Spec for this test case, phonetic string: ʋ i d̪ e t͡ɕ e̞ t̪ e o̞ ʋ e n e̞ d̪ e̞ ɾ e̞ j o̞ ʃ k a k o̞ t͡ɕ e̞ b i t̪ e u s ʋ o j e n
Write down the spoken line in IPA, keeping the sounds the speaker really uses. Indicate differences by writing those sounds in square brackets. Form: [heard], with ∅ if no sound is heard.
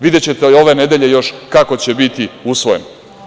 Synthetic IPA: ʋ i d̪ e t͡ɕ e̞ t̪ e o̞ ʋ e n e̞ d̪ e̞ [ʎ] e̞ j o̞ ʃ k a k o̞ t͡ɕ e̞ b i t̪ [i] u s ʋ o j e n